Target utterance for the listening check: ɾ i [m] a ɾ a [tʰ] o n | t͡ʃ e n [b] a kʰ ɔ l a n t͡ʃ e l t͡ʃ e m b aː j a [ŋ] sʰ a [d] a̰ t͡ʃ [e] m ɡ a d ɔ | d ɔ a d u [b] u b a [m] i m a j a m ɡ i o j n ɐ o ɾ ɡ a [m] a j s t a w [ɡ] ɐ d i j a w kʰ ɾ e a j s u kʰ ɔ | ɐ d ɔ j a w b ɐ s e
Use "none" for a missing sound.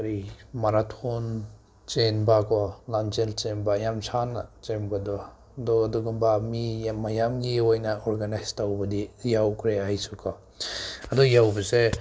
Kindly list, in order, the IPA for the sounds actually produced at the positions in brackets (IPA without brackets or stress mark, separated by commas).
m, tʰ, b, m, n, e, ɡ, m, n, b